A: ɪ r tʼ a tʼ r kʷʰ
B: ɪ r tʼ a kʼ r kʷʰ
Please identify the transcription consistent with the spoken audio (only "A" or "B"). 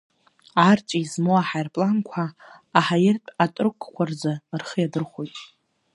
A